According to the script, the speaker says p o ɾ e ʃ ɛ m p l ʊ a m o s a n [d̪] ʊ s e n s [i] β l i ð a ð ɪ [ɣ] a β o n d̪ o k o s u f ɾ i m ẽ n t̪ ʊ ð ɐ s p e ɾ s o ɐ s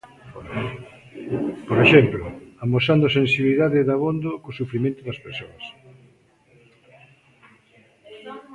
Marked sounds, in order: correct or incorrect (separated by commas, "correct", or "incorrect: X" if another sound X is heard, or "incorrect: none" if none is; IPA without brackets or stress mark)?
correct, correct, incorrect: ð